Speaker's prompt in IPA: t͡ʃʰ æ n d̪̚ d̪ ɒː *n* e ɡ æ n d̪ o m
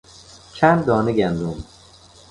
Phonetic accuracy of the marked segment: correct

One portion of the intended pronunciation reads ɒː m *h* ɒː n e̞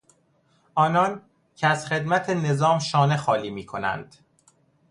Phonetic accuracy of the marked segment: incorrect: ʃ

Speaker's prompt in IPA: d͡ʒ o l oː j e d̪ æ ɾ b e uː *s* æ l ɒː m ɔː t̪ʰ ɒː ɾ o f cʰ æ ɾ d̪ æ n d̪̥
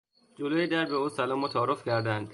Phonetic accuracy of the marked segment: correct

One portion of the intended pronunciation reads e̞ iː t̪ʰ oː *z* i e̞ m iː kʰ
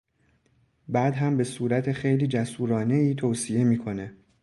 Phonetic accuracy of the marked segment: incorrect: s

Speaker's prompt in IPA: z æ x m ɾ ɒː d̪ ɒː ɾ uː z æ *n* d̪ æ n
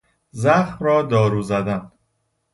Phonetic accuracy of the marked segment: incorrect: none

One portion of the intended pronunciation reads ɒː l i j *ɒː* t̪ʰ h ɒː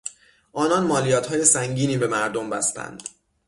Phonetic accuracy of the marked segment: correct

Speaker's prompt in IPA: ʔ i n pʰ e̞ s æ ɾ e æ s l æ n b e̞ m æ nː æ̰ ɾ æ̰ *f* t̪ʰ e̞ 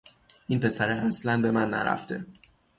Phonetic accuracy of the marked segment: correct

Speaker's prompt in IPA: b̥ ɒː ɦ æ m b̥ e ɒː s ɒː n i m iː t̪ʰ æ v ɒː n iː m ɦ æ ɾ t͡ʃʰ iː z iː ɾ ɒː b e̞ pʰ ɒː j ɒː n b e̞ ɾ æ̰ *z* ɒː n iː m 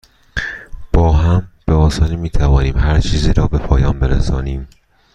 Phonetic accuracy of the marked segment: incorrect: s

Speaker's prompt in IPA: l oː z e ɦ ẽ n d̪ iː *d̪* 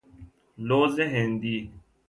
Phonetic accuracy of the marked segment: incorrect: none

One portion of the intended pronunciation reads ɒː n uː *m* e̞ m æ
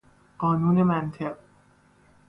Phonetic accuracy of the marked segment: incorrect: n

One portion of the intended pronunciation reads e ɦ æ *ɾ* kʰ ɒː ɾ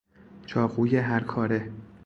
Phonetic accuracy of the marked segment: correct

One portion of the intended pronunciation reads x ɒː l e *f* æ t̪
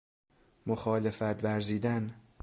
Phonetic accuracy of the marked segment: correct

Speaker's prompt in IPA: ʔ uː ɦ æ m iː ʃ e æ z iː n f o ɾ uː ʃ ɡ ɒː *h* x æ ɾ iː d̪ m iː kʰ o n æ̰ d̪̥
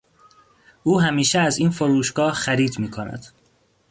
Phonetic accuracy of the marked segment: correct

